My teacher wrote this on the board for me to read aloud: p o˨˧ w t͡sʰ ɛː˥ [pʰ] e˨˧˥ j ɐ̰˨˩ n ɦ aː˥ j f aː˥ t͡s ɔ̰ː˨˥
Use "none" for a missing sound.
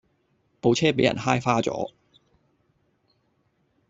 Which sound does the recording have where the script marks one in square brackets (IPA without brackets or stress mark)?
p